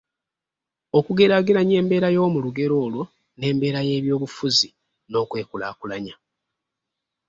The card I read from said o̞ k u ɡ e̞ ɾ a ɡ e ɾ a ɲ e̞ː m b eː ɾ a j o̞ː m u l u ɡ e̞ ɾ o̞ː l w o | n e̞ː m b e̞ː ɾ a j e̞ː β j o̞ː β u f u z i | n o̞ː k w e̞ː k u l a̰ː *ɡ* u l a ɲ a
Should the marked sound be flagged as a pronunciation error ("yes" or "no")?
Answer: yes